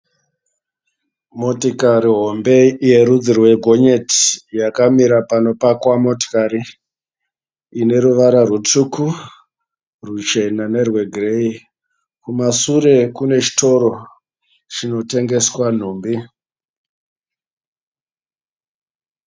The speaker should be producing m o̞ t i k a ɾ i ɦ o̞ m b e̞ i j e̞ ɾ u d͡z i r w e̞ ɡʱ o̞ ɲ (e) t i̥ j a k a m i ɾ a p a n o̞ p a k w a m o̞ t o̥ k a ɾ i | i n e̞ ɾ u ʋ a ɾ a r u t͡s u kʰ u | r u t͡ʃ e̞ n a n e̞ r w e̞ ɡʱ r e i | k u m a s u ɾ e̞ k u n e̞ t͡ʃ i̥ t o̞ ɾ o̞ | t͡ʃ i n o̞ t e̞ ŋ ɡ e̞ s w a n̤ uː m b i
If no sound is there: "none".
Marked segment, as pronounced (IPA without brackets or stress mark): e